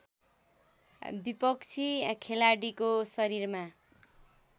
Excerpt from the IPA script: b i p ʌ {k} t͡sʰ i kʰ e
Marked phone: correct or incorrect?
correct